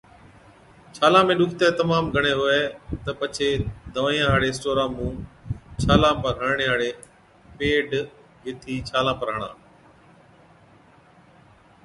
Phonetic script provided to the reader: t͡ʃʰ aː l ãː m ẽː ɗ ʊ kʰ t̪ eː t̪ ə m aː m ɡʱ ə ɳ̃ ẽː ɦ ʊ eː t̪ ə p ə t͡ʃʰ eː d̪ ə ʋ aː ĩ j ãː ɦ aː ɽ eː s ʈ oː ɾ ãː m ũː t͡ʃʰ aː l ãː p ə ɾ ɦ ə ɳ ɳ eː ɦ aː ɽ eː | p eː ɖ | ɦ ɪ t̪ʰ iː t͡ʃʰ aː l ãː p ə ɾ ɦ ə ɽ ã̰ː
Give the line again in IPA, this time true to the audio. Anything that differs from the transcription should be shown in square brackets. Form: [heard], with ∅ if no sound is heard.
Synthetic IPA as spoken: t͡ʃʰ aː l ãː m ẽː ɗ ʊ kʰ t̪ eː t̪ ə m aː m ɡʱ ə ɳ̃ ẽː ɦ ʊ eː t̪ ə p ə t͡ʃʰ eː d̪ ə ʋ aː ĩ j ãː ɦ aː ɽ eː s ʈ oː ɾ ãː m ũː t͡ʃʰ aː l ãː p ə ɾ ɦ ə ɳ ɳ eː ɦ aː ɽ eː | p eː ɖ | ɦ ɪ t̪ʰ iː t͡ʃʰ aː l ãː p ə ɾ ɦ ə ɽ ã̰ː